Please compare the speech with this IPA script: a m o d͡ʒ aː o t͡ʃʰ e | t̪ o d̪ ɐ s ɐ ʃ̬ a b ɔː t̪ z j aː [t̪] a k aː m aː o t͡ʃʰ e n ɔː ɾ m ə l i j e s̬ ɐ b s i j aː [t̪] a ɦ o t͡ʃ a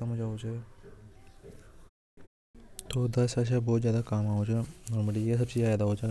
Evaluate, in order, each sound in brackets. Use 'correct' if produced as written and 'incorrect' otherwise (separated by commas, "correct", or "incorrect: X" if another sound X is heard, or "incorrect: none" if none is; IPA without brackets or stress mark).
incorrect: d̪, incorrect: d̪